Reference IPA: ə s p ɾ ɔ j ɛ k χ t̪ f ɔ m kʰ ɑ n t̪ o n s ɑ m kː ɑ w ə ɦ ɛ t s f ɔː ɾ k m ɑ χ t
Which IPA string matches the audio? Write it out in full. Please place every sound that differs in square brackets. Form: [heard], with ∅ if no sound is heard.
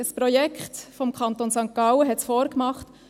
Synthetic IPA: ə s p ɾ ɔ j ɛ k χ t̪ f ɔ m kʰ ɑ n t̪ o n s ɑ [ŋ] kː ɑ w ə ɦ ɛ t s f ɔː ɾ k m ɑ χ t